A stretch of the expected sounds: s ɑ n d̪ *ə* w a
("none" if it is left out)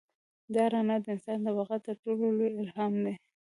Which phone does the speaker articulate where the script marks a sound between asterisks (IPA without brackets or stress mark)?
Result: ə